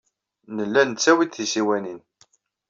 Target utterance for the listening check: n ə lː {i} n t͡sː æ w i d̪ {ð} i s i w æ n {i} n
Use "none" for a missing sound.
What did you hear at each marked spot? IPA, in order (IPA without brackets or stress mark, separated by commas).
æ, θ, i